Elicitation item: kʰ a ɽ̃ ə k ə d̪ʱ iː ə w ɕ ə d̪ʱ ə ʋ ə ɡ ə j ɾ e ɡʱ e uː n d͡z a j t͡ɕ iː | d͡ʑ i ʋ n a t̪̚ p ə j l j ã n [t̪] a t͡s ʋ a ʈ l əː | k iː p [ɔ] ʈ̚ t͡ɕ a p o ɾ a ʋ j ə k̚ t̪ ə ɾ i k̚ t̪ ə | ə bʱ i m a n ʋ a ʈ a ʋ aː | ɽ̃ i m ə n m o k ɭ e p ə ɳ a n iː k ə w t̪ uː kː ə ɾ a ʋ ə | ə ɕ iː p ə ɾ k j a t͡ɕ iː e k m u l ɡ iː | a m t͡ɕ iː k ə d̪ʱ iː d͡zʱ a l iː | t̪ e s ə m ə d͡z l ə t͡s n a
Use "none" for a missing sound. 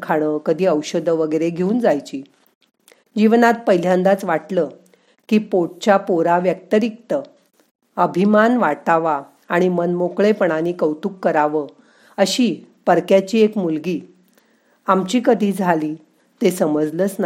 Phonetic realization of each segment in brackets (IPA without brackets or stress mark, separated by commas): d̪, o